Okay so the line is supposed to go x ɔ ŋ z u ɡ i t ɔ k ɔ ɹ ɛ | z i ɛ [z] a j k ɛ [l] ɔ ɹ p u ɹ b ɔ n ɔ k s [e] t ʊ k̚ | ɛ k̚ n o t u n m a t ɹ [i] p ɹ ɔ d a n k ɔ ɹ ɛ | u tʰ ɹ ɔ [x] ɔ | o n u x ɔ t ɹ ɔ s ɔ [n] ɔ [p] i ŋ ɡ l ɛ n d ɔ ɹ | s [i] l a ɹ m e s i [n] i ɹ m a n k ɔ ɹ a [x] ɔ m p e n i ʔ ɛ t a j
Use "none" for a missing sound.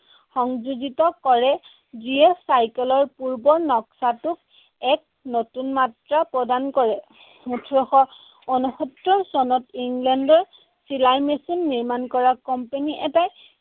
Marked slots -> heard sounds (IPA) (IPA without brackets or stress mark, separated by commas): s, l, a, a, x, n, t, i, nː, k